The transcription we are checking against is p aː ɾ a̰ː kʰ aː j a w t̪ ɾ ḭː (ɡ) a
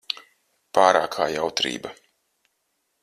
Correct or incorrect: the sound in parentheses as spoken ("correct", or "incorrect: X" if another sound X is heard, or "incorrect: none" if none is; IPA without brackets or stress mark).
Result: incorrect: b